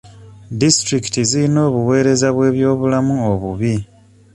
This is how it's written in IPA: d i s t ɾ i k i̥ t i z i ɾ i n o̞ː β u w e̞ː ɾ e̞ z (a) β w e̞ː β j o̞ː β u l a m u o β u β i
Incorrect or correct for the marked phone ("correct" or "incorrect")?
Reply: correct